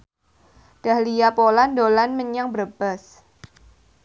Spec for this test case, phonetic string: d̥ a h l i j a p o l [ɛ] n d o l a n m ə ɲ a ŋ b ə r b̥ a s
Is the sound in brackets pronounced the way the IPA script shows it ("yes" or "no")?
no